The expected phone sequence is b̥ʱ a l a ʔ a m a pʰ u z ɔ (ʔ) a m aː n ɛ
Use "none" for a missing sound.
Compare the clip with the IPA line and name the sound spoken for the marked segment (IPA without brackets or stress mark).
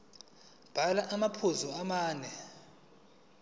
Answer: none